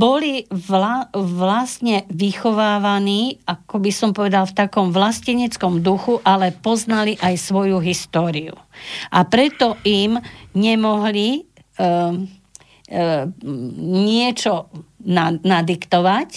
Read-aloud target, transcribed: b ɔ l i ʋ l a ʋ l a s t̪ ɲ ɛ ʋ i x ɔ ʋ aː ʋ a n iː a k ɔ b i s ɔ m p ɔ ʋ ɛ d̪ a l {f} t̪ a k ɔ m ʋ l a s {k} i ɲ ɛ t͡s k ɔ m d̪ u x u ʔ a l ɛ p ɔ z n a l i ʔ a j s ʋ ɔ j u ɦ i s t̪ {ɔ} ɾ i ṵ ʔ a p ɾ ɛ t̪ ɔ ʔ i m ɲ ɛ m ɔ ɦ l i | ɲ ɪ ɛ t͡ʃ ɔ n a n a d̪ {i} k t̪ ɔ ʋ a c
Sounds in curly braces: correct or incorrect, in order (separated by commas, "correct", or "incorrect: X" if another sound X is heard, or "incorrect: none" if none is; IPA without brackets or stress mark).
correct, incorrect: c, incorrect: ɔː, correct